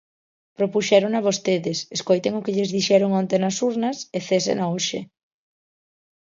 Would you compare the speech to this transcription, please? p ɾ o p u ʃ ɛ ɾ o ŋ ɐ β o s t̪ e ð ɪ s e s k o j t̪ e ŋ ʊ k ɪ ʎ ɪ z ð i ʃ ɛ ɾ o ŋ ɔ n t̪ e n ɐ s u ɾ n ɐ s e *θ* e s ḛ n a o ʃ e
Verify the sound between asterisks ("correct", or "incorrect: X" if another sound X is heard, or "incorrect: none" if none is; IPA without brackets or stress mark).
correct